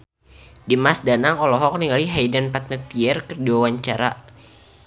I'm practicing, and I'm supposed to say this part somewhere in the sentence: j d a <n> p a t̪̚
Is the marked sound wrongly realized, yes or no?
no